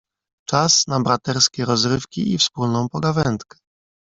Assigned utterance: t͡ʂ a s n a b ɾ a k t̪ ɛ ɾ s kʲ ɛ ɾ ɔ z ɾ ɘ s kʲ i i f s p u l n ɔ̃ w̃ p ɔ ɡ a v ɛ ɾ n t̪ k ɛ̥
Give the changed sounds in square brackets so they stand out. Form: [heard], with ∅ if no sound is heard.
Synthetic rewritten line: t͡ʂ a s n a b ɾ a [∅] t̪ ɛ ɾ s kʲ ɛ ɾ ɔ z ɾ ɘ [f] kʲ i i f s p u l n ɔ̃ w̃ p ɔ ɡ a v ɛ [∅] n t̪ k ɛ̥